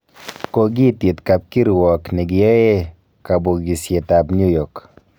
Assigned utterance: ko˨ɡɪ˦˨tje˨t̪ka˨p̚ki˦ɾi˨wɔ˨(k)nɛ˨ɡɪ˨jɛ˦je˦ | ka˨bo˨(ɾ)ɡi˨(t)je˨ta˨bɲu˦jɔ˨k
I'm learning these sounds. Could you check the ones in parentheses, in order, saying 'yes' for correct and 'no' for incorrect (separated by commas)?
yes, no, no